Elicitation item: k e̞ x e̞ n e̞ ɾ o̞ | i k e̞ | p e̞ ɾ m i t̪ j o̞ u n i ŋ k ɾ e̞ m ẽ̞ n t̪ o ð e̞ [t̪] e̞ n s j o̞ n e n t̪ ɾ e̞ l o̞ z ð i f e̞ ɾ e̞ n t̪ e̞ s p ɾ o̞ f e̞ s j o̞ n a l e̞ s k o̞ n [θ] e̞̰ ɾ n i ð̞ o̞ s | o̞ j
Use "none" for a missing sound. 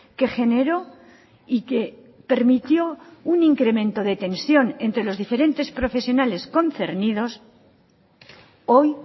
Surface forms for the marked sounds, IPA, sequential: t̪, θ

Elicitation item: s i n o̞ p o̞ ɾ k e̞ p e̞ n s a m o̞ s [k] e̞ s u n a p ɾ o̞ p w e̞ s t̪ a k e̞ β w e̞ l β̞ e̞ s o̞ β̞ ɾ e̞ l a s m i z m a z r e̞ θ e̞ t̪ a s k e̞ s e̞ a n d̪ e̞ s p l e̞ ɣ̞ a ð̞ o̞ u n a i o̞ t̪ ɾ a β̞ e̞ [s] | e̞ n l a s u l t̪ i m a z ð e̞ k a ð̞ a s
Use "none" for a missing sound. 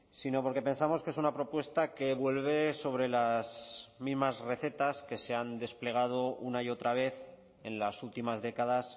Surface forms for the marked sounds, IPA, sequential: k, θ

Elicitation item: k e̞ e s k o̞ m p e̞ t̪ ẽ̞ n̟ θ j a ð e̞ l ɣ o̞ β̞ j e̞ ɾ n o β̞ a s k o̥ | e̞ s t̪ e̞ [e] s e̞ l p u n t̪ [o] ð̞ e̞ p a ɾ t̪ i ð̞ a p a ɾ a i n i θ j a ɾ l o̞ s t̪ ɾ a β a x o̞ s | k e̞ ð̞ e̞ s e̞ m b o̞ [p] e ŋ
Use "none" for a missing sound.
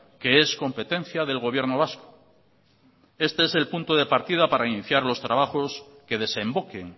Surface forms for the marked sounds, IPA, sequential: e, o, k

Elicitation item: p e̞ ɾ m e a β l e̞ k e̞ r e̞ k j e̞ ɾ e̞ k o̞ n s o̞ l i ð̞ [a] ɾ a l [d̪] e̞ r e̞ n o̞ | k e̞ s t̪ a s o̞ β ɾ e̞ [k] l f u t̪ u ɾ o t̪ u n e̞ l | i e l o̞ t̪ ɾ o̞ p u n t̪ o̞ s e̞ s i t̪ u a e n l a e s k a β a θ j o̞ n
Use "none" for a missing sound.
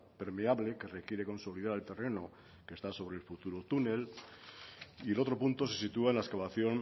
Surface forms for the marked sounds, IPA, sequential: a, t̪, none

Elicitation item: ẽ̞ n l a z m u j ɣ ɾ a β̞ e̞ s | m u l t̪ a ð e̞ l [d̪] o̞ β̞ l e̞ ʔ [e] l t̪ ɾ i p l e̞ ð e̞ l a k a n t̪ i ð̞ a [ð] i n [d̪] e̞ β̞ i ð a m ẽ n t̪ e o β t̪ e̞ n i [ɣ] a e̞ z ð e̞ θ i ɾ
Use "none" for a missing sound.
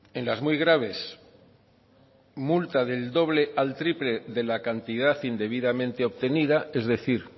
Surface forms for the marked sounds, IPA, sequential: d̪, a, θ, d̪, ð

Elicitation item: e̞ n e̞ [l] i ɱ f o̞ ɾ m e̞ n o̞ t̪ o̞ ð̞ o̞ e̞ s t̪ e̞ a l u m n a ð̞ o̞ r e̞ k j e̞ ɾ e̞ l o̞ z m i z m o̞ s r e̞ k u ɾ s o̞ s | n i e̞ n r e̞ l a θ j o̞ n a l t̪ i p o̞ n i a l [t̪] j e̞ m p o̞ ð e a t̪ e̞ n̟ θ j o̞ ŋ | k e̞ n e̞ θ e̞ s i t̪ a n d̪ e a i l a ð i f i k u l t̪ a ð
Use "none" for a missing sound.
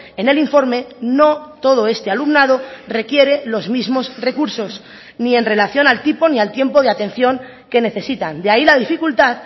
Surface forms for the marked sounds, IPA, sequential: l, t̪

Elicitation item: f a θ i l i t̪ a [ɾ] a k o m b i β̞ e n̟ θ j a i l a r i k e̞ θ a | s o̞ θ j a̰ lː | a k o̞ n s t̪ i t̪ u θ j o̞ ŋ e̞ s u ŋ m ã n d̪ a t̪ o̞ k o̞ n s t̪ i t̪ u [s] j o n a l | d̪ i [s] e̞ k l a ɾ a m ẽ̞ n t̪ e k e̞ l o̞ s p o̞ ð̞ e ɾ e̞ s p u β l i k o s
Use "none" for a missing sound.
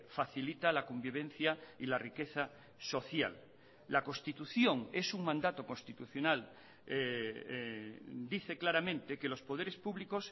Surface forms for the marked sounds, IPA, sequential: l, θ, θ

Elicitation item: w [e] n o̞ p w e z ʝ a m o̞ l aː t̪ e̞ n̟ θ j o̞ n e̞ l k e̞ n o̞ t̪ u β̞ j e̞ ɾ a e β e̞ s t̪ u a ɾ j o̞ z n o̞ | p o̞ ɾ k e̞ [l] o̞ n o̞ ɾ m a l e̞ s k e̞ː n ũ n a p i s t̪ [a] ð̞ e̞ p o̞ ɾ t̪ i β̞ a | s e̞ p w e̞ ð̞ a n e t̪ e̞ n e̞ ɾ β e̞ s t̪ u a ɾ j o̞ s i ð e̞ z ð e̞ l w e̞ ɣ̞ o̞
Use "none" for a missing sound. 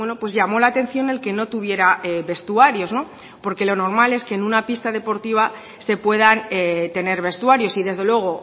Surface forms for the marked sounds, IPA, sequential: e, l, a

